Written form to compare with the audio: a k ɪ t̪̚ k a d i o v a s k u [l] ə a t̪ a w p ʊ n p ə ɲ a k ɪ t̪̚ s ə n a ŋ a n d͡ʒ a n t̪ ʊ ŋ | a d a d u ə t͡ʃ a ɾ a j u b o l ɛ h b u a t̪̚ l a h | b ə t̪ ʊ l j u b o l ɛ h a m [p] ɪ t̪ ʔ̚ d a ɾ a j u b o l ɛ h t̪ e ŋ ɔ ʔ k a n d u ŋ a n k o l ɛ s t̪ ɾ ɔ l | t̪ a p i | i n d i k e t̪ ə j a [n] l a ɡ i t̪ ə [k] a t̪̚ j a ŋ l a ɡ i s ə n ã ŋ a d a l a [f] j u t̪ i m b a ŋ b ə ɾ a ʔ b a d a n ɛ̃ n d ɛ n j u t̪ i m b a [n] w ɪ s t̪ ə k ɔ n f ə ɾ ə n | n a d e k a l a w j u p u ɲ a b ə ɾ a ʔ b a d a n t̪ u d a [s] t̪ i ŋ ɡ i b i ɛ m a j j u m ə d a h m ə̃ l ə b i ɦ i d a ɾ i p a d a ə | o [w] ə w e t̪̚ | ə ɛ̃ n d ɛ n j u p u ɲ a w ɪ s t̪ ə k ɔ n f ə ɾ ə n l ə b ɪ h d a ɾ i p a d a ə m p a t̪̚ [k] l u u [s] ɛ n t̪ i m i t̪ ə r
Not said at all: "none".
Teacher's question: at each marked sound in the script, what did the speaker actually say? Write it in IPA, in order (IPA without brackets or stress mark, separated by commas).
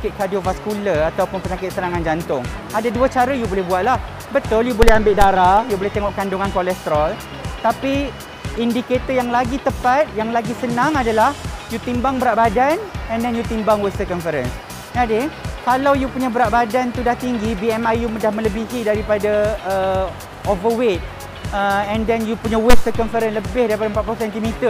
l, b, ŋ, p, h, ŋ, h, v, p, s